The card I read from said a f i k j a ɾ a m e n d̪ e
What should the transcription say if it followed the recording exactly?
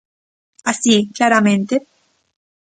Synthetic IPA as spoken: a s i k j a ɾ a m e n t̪ e